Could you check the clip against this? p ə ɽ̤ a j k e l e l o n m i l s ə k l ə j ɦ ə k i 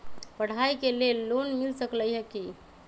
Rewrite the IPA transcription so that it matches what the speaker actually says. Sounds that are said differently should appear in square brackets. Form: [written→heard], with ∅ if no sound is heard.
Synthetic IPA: p ə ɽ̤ a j k e l e [l→lː] o n m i l s ə k l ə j ɦ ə k i